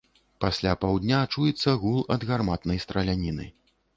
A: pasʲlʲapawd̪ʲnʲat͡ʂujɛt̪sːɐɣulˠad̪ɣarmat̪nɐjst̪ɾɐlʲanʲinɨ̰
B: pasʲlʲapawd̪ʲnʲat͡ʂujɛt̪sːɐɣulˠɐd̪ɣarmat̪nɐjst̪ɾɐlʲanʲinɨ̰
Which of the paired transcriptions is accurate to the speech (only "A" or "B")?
B